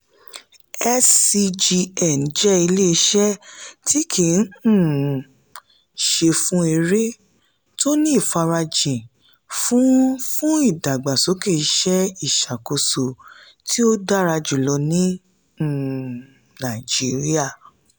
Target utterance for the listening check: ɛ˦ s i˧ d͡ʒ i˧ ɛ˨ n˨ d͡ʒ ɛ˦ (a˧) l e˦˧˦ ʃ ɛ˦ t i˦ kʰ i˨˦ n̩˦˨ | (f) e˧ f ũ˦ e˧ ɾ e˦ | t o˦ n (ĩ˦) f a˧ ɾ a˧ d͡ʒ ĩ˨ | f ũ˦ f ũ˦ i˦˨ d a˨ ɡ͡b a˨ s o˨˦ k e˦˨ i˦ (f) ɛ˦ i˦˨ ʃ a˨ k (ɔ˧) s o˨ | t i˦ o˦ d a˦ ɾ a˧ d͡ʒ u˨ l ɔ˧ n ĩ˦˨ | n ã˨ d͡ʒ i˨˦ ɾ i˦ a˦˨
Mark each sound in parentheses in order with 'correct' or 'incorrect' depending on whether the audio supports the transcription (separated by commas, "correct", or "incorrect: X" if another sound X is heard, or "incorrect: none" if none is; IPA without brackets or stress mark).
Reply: incorrect: i˧, incorrect: ʃ, incorrect: ĩ˦˨, incorrect: ʃ, incorrect: o˧